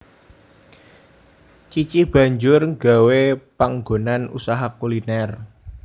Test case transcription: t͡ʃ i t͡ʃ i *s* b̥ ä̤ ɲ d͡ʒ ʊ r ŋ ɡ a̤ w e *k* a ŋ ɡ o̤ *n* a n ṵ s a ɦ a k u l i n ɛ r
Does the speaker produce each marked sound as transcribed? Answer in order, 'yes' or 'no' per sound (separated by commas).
no, no, yes